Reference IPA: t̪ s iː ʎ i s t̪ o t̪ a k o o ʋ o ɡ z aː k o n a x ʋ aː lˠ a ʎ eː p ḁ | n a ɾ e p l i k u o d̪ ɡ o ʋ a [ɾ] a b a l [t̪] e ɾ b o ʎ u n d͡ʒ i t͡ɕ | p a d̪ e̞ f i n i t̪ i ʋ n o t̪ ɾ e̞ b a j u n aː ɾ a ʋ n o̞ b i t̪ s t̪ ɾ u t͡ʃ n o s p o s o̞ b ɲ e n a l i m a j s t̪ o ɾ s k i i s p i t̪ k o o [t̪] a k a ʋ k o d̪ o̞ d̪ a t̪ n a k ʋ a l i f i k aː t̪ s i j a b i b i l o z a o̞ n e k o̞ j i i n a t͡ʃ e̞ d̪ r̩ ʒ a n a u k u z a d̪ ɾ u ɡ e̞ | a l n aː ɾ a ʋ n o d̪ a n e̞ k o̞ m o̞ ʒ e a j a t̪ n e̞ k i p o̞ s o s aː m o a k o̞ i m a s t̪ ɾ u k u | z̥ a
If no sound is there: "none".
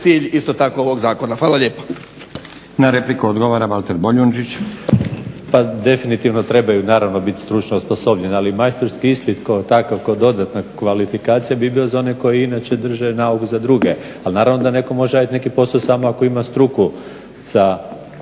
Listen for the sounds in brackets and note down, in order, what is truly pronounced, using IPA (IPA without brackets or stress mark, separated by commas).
ɾ, t̪, t̪